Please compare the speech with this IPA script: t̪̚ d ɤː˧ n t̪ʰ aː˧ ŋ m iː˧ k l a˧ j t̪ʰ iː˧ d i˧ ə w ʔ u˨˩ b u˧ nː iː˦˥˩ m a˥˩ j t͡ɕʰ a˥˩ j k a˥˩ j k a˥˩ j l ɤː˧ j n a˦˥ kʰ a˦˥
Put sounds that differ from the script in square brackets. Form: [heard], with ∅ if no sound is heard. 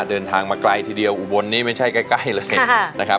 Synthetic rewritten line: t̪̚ d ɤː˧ n t̪ʰ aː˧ ŋ m [aː˧] k l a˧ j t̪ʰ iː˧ d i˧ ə w ʔ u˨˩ b [o˧] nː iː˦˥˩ m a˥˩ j t͡ɕʰ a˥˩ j k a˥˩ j k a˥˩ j l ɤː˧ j n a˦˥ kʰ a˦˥